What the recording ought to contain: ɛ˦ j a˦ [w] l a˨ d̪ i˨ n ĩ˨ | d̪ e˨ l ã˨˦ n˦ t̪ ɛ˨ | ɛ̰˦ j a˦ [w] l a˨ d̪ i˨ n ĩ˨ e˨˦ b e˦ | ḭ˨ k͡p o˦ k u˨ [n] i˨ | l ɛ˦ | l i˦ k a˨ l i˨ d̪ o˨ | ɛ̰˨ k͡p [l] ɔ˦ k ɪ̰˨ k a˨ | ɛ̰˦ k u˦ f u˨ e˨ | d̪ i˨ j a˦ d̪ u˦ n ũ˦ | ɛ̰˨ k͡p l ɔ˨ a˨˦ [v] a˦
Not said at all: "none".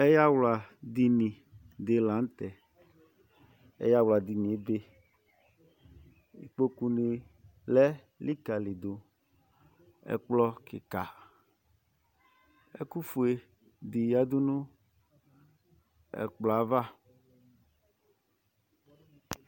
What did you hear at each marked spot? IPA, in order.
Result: w, w, n, l, v

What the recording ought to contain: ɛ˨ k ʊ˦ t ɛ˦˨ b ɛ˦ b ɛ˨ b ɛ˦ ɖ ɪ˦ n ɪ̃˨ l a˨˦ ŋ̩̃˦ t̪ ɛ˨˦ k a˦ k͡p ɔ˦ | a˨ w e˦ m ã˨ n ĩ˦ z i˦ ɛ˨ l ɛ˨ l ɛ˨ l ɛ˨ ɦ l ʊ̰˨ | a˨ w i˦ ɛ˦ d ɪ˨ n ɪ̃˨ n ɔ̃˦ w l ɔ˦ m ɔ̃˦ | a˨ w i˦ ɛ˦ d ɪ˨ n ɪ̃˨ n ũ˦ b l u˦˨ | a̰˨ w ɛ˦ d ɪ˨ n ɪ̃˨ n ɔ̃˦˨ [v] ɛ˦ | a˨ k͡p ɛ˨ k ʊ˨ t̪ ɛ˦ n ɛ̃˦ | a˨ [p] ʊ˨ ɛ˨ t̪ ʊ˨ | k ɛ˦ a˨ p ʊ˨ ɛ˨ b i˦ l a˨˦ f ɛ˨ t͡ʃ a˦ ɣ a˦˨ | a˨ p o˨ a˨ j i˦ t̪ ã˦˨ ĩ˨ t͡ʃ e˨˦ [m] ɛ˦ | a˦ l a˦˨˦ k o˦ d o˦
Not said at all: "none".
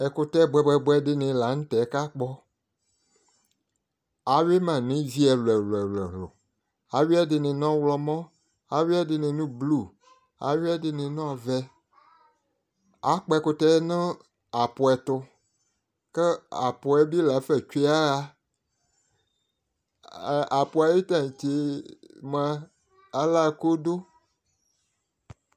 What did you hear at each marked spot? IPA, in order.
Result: v, p, m

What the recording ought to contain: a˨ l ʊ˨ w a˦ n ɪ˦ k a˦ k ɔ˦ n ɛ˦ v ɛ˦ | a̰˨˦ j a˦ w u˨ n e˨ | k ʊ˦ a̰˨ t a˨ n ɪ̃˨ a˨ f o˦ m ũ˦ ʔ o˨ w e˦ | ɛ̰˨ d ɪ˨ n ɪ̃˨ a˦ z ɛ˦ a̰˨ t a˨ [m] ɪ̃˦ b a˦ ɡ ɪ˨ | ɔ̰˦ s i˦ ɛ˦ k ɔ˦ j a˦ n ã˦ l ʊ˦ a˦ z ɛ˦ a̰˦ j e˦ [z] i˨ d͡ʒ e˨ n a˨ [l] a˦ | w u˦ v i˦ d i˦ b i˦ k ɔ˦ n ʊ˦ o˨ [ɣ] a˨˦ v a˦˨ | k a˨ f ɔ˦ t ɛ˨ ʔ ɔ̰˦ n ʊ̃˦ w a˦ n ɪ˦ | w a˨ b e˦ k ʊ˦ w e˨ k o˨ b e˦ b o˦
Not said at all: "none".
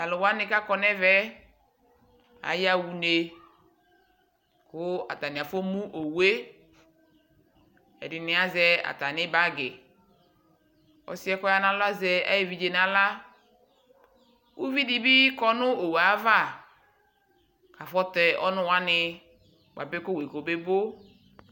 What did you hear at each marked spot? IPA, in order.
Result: n, v, l, w

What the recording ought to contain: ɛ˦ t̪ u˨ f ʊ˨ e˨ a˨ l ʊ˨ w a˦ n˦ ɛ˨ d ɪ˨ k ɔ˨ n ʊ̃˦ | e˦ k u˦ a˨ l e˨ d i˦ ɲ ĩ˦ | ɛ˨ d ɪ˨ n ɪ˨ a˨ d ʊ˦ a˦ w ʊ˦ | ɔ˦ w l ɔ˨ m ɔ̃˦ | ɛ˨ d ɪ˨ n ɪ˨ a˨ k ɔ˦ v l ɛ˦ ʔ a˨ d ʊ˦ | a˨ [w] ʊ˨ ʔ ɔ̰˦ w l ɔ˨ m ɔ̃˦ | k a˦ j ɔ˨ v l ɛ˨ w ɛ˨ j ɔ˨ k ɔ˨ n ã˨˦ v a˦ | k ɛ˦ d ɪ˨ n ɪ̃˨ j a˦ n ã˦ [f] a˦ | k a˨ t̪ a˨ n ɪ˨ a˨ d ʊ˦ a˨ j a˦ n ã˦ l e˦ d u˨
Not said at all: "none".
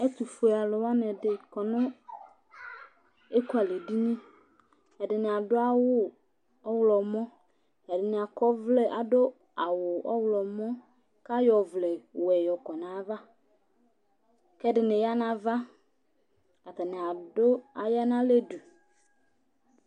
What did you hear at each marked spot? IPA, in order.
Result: w, v

